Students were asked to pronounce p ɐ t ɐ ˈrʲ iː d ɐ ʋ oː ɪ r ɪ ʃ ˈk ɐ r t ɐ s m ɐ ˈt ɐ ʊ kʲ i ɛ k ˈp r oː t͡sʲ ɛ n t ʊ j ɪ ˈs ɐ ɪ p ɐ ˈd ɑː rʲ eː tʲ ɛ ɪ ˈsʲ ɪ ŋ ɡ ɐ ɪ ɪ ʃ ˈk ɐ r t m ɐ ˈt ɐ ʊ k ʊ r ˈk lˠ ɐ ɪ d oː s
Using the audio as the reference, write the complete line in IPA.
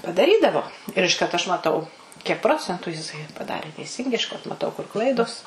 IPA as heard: p ɐ d ɐ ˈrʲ iː d ɐ ʋ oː ɪ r ɪ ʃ ˈk ɐ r t ɐ ʃ m ɐ ˈt ɐ ʊ kʲ i ɛ k ˈp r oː t͡sʲ ɛ n t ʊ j ɪ ˈs ɐ ɪ p ɐ ˈd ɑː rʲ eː tʲ ɛ ɪ ˈsʲ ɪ ŋ ɡ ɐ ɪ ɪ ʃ ˈk ɐ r t m ɐ ˈt ɐ ʊ k ʊ r ˈk lˠ ɐ ɪ d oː s